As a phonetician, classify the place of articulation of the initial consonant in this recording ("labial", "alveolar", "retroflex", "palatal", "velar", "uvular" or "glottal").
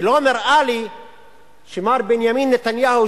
alveolar